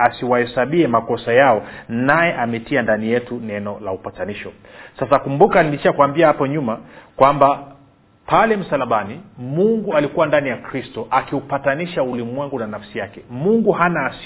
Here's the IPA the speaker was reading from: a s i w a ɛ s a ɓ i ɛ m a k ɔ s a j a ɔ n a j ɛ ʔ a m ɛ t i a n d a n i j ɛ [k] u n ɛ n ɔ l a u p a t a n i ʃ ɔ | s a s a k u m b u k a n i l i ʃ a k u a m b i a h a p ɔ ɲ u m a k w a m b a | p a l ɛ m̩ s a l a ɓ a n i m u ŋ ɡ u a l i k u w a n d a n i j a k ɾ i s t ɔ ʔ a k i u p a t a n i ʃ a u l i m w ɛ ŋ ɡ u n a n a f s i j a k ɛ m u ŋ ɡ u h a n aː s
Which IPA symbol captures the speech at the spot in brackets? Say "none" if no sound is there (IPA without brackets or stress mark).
t